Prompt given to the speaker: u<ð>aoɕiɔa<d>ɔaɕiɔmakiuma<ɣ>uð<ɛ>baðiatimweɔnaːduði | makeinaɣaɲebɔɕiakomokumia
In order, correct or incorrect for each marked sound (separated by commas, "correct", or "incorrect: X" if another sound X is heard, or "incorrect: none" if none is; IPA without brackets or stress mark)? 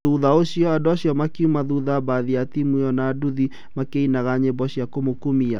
correct, correct, incorrect: ð, incorrect: a